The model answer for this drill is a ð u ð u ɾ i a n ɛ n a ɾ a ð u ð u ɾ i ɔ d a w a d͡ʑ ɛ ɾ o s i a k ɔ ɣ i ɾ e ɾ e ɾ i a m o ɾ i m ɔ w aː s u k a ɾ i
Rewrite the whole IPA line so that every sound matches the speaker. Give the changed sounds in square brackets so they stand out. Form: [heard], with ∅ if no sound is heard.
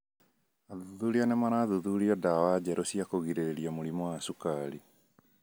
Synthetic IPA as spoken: a ð u ð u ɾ i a n ɛ [m] a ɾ a ð u ð u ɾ i ɔ d a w a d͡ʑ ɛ ɾ o s i a k [o] ɣ i ɾ e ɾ e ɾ i a m o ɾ i m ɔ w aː s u k a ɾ i